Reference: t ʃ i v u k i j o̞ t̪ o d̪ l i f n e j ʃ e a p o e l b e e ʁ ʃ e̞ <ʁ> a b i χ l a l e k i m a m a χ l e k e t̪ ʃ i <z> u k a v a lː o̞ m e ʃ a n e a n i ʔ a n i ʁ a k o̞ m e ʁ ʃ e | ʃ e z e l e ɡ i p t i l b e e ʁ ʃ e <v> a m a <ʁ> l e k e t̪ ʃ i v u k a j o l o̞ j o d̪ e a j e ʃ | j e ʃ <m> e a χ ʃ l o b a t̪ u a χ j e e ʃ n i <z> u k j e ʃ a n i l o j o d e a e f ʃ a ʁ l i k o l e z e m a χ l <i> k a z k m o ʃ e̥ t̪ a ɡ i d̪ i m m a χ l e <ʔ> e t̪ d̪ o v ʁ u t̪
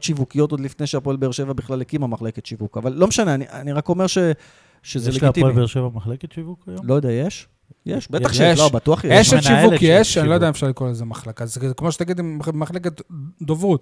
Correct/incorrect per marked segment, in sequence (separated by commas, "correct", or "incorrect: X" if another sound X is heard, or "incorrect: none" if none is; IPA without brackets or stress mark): incorrect: v, incorrect: v, correct, incorrect: χ, incorrect: b, incorrect: v, incorrect: a, incorrect: k